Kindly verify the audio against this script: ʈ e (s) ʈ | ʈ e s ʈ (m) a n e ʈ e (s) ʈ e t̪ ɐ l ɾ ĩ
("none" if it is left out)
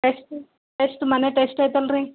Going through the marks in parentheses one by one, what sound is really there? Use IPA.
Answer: s, m, s

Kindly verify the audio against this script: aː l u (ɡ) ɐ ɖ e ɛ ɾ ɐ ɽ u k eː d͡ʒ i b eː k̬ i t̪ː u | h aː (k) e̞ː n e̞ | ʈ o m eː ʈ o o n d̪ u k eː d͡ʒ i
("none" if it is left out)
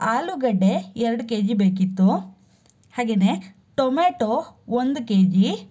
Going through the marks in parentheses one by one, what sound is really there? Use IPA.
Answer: ɡ, ɡ

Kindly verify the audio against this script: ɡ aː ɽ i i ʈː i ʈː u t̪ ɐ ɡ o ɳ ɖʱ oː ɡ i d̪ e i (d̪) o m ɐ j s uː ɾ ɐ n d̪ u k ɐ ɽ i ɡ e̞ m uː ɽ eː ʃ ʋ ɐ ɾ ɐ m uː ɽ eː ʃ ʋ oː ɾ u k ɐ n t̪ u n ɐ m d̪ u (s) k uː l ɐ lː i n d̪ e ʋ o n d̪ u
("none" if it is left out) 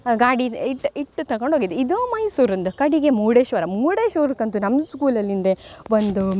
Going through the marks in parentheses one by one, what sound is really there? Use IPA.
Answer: d̪, s

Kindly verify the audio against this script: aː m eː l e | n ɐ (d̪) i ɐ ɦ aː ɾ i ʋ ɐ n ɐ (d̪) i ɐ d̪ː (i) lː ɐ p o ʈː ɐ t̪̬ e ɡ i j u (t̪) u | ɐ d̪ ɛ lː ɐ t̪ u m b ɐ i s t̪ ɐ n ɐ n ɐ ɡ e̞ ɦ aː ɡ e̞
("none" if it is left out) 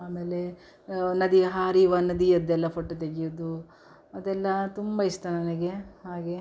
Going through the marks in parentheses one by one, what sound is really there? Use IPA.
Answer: d̪, d̪, ɛ, d̪

